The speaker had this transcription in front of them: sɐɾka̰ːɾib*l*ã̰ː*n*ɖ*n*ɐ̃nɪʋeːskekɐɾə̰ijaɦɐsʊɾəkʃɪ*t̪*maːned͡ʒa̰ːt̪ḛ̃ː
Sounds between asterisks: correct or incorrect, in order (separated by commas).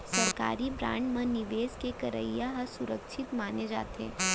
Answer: incorrect, incorrect, incorrect, correct